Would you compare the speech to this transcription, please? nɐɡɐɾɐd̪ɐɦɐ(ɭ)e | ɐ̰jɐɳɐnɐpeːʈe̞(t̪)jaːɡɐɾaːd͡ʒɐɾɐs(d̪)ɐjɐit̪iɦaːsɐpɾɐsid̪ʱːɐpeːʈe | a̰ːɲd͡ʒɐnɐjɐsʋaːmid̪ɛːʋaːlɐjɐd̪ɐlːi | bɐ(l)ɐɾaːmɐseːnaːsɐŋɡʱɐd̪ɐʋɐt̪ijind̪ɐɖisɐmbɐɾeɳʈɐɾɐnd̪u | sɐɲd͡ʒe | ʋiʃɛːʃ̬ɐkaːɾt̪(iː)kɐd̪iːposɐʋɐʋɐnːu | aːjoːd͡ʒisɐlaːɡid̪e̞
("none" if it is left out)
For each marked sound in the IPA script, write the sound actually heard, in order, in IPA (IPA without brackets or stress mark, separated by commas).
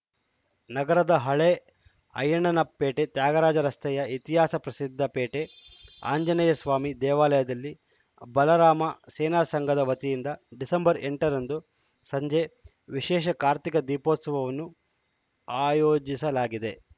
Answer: ɭ, t̪, t̪, l, i